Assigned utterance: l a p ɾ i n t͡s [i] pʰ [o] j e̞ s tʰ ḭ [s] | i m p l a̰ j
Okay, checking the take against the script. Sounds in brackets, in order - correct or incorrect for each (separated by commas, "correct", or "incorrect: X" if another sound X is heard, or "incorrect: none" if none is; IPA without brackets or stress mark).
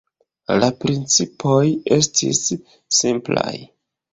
correct, correct, incorrect: sː